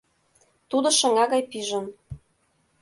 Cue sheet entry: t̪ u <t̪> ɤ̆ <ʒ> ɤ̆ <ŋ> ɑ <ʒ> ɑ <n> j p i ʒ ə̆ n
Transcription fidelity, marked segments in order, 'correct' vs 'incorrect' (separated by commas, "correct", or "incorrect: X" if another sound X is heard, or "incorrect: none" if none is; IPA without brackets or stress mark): incorrect: d̪, incorrect: ʃ, correct, incorrect: ɣ, incorrect: none